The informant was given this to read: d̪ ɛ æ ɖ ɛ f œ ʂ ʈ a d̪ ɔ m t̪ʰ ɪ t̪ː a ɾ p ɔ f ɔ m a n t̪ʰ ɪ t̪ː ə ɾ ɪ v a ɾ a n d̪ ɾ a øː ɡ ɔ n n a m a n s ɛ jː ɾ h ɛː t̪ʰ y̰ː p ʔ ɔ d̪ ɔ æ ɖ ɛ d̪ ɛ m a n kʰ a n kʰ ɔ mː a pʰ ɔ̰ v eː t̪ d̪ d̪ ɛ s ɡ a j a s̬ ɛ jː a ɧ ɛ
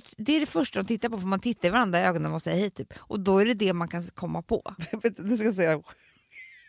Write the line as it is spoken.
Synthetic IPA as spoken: d̪ ɛ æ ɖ ɛ f œ ʂ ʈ a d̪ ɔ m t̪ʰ ɪ t̪ː a ɾ p ɔ f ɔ m a n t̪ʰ ɪ t̪ː a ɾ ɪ v a ɾ a n d̪ ɾ a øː ɡ ɔ n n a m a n s ɛ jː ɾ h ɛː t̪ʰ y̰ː p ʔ ɔ d̪ ɔ æ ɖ ɛ d̪ ɛ m a n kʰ a n kʰ ɔ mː a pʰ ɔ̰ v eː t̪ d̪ d̪ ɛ s k a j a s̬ ɛ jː a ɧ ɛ